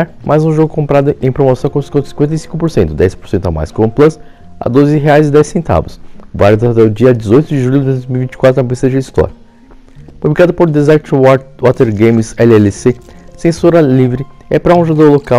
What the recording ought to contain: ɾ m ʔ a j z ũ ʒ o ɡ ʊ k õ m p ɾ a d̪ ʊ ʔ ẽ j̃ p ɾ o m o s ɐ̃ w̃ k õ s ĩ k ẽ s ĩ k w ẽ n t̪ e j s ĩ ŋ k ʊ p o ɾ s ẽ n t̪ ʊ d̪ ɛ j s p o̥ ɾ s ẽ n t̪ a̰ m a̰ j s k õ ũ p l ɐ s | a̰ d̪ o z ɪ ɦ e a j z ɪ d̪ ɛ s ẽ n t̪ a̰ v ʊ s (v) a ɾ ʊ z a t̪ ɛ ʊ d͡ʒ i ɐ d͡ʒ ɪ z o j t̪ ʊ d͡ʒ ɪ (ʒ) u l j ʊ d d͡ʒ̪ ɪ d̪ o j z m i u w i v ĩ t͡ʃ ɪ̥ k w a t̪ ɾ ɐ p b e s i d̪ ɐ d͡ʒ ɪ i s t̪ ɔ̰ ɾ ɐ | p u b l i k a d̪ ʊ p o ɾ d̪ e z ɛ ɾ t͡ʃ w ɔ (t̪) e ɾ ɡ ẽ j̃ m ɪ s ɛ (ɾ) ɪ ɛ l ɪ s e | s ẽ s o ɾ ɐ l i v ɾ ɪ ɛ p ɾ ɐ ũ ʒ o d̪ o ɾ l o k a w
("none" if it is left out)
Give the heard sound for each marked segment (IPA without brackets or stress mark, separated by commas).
v, ʒ, t̪, l